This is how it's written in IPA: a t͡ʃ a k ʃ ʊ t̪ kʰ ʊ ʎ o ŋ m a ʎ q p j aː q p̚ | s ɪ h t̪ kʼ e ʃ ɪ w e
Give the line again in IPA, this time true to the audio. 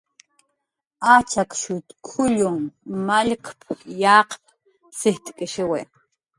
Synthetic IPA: a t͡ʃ a k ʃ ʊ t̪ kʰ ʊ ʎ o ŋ m a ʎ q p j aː q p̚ | s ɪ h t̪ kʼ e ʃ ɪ w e